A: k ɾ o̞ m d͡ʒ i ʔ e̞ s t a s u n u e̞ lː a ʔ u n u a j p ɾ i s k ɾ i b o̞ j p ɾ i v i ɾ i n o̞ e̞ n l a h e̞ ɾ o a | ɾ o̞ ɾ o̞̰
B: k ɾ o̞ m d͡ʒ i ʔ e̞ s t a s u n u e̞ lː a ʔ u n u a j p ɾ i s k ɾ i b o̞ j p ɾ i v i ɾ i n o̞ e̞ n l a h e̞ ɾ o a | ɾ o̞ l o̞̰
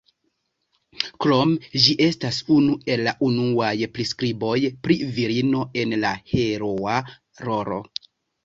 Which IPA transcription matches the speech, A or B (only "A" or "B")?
A